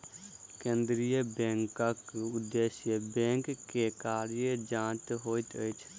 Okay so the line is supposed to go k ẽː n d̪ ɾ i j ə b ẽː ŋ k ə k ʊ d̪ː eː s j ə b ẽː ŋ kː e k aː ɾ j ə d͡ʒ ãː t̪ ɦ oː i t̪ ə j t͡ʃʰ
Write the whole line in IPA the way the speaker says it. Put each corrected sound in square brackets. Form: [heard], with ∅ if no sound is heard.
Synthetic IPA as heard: k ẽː n d̪ ɾ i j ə b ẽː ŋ k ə k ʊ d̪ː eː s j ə b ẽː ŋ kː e k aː ɾ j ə d͡ʒ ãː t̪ ɦ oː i t̪ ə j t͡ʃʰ